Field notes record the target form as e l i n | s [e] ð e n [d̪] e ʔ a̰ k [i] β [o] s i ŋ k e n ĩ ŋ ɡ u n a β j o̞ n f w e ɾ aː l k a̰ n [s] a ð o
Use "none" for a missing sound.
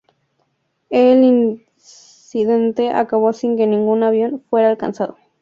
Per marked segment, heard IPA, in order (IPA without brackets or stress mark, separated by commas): i, t̪, a, o, s